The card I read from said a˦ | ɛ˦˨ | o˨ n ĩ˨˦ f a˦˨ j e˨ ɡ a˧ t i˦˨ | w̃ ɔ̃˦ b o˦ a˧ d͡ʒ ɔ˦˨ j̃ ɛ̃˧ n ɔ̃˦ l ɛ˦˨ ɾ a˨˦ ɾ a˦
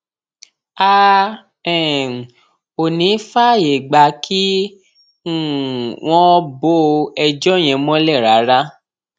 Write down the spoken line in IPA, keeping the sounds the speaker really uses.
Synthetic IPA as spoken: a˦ | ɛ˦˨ | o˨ n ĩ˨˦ f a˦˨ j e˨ ɡ͡b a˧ k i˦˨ | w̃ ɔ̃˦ b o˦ ɛ˧ d͡ʒ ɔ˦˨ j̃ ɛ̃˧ m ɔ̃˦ l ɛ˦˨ ɾ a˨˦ ɾ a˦